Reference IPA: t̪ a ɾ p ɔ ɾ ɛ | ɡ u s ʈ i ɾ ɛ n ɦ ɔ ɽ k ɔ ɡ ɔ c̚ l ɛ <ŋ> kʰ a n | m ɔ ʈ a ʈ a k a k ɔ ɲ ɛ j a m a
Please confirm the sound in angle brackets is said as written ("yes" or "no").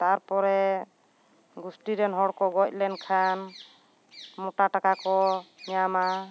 no